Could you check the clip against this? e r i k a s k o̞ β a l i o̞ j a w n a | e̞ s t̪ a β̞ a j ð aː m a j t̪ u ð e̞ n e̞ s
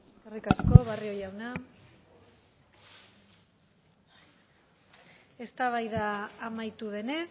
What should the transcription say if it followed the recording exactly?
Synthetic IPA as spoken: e r i k a s k o̞ β a r i o̞ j a w n a | e̞ s t̪ a β̞ a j ð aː m a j t̪ u ð e̞ n e̞ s

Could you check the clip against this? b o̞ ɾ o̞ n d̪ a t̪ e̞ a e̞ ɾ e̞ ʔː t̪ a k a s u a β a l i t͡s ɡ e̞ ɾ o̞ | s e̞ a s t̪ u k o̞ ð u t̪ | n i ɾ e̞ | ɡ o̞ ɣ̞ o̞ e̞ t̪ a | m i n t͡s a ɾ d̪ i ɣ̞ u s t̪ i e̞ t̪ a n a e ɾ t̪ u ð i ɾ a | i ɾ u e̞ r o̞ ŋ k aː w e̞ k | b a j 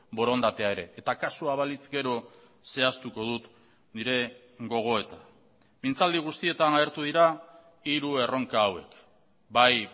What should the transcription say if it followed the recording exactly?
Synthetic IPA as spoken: b o̞ ɾ o̞ n d̪ a t̪ e̞ a e̞ ɾ e̞ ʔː t̪ a k a s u a β a l i t͡s ɡ e̞ ɾ o̞ | s e̞ a s t̪ u k o̞ ð u t̪ | n i ɾ e̞ | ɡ o̞ ɣ̞ o̞ e̞ t̪ a | m i n t͡s a l d̪ i ɣ̞ u s t̪ i e̞ t̪ a n a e ɾ t̪ u ð i ɾ a | i ɾ u e̞ r o̞ ŋ k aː w e̞ k | b a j

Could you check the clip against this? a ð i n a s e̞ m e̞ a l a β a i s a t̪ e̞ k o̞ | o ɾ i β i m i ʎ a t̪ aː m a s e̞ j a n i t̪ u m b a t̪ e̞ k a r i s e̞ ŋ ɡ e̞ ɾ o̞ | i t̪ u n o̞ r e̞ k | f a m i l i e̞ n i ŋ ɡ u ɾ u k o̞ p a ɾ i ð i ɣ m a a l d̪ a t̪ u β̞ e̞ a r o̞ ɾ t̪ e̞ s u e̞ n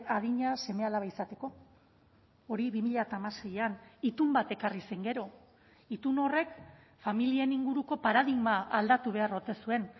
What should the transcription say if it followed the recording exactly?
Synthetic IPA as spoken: a ð i ɲ a s e̞ m e̞ a l a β a i s a t̪ e̞ k o̞ | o ɾ i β i m i ʎ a t̪ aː m a s e̞ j a n i t̪ u m b a t̪ e̞ k a r i s e̞ ŋ ɡ e̞ ɾ o̞ | i t̪ u n o̞ r e̞ k | f a m i l i e̞ n i ŋ ɡ u ɾ u k o̞ p a ɾ a ð i ɣ m a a l d̪ a t̪ u β̞ e̞ a r o̞ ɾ t̪ e̞ s u e̞ n

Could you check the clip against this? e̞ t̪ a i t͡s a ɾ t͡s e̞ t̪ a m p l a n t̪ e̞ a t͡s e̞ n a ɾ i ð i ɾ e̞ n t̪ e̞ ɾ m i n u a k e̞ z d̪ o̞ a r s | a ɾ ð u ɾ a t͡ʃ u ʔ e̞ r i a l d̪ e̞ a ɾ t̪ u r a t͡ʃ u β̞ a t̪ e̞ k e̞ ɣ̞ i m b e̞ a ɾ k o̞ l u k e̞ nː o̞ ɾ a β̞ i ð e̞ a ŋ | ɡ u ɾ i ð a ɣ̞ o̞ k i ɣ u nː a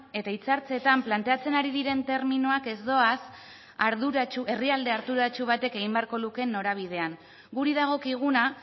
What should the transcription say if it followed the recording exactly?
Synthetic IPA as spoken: e̞ t̪ a i t͡s a ɾ t͡s e̞ t̪ a m p l a n t̪ e̞ a t͡s e̞ n a ɾ i ð i ɾ e̞ n t̪ e̞ ɾ m i n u a k e̞ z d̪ o̞ a s | a ɾ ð u ɾ a t͡ʃ u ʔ e̞ r i a l d̪ e̞ a ɾ t̪ u ɾ a t͡ʃ u β̞ a t̪ e̞ k e̞ ɣ̞ i m b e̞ a ɾ k o̞ l u k e̞ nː o̞ ɾ a β̞ i ð e̞ a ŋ | ɡ u ɾ i ð a ɣ̞ o̞ k i ɣ u n a

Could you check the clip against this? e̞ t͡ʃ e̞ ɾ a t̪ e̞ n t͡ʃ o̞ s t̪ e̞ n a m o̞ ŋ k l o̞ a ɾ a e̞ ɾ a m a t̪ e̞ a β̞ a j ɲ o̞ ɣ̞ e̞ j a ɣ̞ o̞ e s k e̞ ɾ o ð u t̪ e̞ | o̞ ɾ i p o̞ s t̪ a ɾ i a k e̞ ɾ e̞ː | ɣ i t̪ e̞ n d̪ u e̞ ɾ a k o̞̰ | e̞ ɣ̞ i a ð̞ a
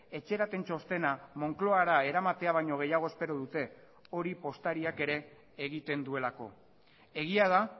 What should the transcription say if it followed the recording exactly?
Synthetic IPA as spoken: e̞ t͡ʃ e̞ ɾ a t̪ e̞ n t͡ʃ o̞ s t̪ e̞ n a m o̞ ŋ k l o̞ a ɾ a e̞ ɾ a m a t̪ e̞ a β̞ a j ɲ o̞ ɣ̞ e̞ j a ɣ̞ o̞ e s p e̞ ɾ o ð u t̪ e̞ | o̞ ɾ i p o̞ s t̪ a ɾ i a k e̞ ɾ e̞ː | ɣ i t̪ e̞ n d̪ u e̞ l a k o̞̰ | e̞ ɣ̞ i a ð̞ a

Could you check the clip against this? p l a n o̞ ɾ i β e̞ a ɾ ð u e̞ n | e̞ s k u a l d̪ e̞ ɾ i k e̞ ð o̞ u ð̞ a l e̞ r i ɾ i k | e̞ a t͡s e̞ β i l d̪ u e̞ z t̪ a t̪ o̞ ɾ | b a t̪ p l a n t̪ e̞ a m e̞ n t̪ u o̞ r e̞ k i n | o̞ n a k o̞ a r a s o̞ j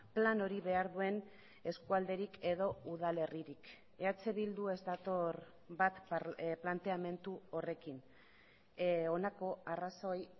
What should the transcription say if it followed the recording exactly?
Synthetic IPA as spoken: p l a n o̞ ɾ i β e̞ a ɾ ð u e̞ n | e̞ s k u a l d̪ e̞ ɾ i k e̞ ð o̞ u ð̞ a l e̞ r i ɾ i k | e̞ a t͡s e̞ β i l d̪ u e̞ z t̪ a t̪ o̞ ɾ | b a t̪ p l a n t̪ e̞ a m e̞ n t̪ u o̞ r e̞ k i n | o̞ n a k o̞ a r a s o̞ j

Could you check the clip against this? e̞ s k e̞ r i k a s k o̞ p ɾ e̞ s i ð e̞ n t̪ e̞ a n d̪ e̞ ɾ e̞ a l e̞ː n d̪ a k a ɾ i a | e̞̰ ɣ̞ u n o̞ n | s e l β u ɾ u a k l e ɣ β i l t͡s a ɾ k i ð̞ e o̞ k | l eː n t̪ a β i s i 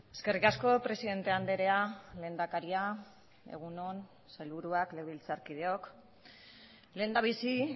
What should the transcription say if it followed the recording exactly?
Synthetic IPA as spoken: e̞ s k e̞ r i k a s k o̞ p ɾ e̞ s i ð e̞ n t̪ e̞ a n d̪ e̞ ɾ e̞ a l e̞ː n d̪ a k a ɾ i a | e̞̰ ɣ̞ u n o̞ n | s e l β u ɾ u a k l e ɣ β i l t͡s a ɾ k i ð̞ e o̞ k | l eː n d̪ a β i s i

